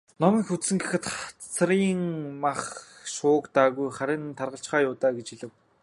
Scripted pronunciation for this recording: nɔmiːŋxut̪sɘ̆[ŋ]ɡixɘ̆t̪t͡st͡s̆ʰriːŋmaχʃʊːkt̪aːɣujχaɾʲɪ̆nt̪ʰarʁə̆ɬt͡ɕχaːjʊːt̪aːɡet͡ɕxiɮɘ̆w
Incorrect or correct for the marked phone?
correct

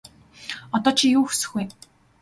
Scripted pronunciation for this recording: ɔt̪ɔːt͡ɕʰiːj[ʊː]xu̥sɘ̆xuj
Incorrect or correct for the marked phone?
incorrect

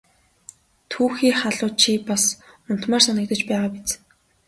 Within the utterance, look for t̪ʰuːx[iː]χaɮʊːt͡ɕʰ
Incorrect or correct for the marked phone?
correct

